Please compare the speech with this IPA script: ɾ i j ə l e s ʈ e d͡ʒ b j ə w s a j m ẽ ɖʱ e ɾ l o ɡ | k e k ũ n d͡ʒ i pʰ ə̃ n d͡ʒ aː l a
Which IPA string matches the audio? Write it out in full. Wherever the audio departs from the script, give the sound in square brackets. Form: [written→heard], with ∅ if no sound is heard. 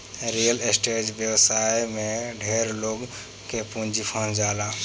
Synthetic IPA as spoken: ɾ i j ə l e s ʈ e d͡ʒ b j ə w s a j m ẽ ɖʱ e ɾ l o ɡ | k e [k→p] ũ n d͡ʒ i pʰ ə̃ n d͡ʒ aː l a